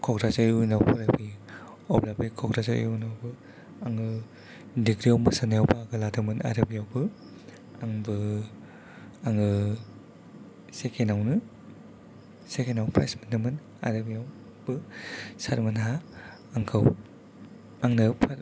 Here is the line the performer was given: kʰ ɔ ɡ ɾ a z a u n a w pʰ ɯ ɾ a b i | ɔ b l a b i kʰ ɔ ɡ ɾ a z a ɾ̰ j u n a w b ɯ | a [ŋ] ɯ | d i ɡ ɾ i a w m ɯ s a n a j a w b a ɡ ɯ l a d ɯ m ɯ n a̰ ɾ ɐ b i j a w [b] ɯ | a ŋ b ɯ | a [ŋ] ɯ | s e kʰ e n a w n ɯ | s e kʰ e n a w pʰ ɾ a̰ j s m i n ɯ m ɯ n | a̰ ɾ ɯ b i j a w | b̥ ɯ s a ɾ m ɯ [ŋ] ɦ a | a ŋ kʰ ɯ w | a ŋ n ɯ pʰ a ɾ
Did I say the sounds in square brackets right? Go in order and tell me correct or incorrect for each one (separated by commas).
correct, correct, correct, incorrect